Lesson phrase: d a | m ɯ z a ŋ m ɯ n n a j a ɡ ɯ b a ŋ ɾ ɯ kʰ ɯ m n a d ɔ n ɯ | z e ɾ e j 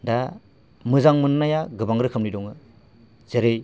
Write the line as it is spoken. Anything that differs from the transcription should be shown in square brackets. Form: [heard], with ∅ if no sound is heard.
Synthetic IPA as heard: d a | m ɯ z a ŋ m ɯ n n a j a ɡ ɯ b a ŋ ɾ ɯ kʰ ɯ m n [i] d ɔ [ŋ] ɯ | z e ɾ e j